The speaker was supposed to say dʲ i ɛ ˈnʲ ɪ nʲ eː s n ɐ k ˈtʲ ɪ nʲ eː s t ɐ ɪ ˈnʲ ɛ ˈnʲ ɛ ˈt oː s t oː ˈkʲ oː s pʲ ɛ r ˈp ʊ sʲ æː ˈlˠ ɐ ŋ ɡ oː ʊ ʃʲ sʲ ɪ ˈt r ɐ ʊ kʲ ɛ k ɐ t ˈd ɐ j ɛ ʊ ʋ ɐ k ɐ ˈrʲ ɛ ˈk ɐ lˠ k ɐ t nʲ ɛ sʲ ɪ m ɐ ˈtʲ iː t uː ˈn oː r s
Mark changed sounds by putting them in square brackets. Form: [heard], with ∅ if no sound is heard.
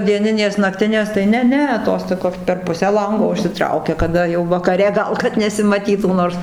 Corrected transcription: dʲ i ɛ ˈnʲ ɪ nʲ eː s n ɐ k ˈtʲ ɪ nʲ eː s t ɐ ɪ ˈnʲ ɛ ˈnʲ ɛ ˈt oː s t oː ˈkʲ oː s pʲ ɛ r ˈp ʊ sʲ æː ˈlˠ ɐ ŋ ɡ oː ʊ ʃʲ sʲ ɪ ˈt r ɐ ʊ kʲ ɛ k ɐ [∅] ˈd ɐ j ɛ ʊ ʋ ɐ k ɐ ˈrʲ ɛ [ˈɡ] ɐ lˠ k ɐ t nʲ ɛ sʲ ɪ m ɐ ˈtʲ iː t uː ˈn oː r s